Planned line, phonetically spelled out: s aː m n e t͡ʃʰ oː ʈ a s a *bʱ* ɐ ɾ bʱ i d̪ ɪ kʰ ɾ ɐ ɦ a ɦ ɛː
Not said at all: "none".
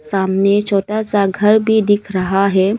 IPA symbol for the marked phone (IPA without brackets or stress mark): ɡʱ